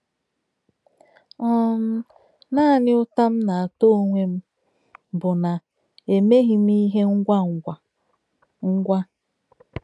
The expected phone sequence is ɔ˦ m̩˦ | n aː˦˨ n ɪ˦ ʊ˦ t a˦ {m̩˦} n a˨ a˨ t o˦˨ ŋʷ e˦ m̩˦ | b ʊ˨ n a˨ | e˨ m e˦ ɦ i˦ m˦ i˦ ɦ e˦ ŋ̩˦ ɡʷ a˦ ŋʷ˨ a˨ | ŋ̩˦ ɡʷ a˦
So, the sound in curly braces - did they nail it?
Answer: yes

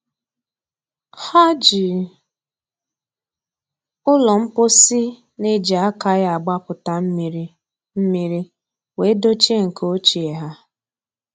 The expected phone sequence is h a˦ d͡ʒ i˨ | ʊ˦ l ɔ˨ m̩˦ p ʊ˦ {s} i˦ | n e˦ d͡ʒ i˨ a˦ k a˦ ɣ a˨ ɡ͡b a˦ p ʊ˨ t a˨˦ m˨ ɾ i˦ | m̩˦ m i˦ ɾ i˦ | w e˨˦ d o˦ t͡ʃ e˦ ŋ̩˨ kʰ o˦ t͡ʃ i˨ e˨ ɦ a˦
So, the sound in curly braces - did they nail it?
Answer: yes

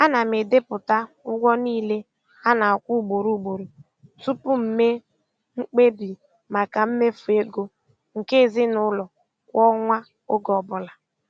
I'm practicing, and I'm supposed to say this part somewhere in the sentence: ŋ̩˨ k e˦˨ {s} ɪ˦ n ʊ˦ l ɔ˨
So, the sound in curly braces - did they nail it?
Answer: no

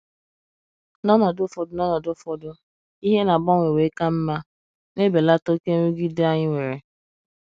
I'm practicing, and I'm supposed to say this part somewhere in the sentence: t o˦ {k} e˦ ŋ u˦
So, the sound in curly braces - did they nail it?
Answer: yes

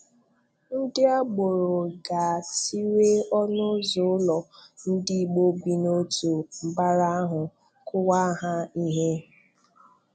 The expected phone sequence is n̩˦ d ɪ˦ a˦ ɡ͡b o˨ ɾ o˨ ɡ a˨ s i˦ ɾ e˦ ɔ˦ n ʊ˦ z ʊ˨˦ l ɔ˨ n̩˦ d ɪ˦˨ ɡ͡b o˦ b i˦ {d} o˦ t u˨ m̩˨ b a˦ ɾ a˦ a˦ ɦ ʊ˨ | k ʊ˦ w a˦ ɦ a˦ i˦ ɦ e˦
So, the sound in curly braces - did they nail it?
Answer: no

